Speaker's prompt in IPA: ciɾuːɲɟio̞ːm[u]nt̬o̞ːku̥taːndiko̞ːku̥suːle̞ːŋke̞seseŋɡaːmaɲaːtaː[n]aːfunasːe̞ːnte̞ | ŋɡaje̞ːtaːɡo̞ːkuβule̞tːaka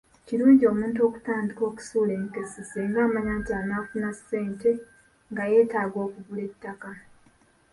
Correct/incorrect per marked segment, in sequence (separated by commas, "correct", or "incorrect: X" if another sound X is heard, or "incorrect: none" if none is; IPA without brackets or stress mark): incorrect: uː, correct